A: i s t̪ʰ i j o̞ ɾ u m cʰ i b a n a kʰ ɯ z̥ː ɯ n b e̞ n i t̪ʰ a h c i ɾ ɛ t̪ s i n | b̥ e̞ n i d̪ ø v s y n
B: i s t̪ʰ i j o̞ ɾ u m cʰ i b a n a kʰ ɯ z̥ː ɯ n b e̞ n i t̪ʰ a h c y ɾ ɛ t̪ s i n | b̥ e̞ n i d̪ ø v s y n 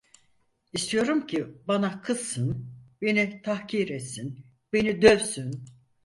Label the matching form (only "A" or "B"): A